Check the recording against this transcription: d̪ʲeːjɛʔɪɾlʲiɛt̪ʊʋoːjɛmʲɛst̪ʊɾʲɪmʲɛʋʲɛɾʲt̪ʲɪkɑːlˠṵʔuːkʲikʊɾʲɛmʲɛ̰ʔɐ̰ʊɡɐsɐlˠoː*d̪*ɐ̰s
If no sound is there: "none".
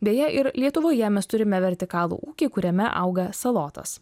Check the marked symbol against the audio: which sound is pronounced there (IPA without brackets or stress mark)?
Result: t̪